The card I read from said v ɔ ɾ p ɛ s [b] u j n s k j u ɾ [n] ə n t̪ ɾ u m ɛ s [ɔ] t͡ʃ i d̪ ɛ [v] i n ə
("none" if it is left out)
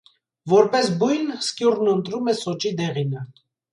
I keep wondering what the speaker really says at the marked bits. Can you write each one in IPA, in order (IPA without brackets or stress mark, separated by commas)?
b, n, ɔ, ʁ